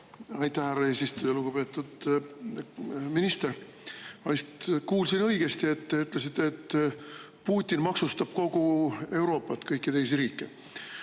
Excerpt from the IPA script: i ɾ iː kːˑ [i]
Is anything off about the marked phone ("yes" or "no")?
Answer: yes